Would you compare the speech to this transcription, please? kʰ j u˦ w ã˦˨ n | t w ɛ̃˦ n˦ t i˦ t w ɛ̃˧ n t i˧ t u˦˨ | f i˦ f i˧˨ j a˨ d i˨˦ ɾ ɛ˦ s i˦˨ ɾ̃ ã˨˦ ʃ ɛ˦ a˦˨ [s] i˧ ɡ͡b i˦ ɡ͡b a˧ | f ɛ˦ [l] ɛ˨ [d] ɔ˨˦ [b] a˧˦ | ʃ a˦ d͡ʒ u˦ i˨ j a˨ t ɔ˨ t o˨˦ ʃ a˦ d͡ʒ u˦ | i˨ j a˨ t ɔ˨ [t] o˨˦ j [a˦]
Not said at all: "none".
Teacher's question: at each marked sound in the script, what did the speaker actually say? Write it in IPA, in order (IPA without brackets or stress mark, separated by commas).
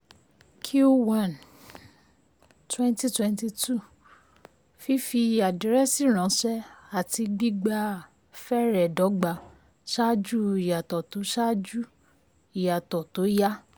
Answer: t, ɾ, d, ɡ͡b, t, a˦